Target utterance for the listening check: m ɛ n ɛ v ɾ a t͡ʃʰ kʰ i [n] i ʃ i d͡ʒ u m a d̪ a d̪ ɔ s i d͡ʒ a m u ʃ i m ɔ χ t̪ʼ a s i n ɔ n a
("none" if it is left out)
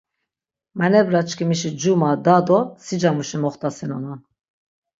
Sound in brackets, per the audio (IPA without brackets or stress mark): m